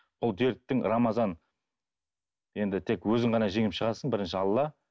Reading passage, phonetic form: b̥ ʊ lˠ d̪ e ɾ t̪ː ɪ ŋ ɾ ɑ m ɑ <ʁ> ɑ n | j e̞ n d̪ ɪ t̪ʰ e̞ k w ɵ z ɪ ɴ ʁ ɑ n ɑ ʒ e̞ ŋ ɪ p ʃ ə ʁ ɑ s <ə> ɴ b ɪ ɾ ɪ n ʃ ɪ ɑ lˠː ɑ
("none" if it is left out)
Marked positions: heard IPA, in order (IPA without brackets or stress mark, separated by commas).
z, ə